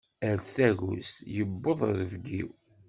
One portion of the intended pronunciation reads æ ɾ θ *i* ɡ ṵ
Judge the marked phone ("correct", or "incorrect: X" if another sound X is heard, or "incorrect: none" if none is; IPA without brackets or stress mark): incorrect: æ